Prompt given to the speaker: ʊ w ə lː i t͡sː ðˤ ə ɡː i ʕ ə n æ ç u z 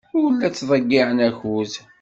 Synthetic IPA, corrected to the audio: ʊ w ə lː æ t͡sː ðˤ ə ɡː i ʕ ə n æ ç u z